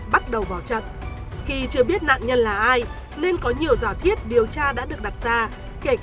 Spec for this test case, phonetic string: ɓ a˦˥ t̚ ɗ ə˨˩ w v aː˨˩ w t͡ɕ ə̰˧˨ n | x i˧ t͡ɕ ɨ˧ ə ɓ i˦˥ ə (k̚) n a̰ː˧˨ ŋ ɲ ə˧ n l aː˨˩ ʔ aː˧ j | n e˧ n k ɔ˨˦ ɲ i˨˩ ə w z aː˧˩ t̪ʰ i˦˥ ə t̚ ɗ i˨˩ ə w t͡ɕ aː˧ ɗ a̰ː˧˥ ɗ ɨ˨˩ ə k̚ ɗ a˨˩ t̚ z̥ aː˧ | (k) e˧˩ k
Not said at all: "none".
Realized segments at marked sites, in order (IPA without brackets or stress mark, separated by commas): t̚, k